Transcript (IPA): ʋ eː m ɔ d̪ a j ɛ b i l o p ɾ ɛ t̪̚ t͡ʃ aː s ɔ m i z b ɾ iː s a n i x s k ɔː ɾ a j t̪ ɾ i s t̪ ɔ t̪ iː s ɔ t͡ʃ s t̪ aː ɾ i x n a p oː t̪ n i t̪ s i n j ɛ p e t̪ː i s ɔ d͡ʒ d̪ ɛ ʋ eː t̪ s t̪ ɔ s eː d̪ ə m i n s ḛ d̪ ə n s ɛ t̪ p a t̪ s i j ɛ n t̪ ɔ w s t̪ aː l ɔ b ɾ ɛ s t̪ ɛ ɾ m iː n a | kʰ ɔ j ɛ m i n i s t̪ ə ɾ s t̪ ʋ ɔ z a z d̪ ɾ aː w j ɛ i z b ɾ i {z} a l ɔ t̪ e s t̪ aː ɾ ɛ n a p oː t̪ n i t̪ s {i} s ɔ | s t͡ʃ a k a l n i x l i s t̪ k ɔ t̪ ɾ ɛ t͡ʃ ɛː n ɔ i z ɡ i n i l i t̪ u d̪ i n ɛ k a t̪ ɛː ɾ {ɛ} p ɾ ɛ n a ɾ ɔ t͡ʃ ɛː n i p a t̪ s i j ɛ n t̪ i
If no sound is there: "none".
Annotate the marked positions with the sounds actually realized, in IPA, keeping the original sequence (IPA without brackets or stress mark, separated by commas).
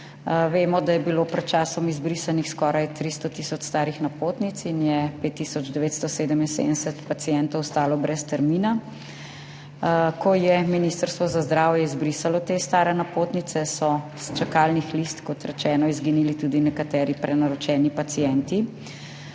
s, ɛ, i